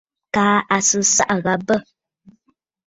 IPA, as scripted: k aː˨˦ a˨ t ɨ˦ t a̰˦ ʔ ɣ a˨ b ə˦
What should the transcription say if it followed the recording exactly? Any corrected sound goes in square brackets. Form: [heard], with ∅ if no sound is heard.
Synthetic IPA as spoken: k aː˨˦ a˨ [s] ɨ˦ [s] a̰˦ ʔ ɣ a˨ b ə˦